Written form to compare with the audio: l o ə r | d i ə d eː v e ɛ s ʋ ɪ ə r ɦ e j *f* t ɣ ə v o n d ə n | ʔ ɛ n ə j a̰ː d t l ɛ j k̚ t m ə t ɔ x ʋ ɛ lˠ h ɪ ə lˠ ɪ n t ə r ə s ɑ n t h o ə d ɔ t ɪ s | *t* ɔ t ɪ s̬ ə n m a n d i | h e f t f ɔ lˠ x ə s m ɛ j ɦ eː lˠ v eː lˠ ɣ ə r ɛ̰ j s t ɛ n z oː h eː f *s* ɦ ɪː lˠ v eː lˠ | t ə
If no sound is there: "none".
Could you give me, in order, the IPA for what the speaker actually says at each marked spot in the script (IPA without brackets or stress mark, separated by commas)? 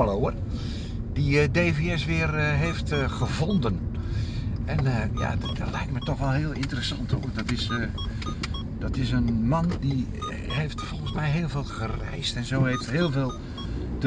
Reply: f, d, t